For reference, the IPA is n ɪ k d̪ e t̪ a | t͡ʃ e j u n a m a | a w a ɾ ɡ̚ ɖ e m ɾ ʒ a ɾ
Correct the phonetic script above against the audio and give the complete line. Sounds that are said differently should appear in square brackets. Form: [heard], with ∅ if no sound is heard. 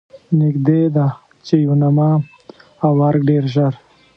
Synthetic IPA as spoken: n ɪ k d̪ e [d̪] a | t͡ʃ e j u n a m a | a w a ɾ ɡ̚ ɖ e [∅] ɾ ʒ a ɾ